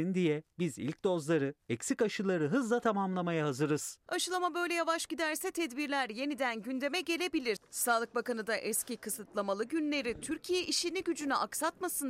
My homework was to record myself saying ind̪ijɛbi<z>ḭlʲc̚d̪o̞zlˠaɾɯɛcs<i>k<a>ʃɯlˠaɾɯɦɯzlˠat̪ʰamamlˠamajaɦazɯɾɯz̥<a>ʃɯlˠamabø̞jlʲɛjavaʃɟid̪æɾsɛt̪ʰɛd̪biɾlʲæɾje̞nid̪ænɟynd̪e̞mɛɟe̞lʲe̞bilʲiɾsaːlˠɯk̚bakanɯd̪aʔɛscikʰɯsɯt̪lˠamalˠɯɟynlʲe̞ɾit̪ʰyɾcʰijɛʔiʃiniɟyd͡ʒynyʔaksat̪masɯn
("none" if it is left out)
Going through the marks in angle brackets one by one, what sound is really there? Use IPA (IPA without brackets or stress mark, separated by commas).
z, i, a, a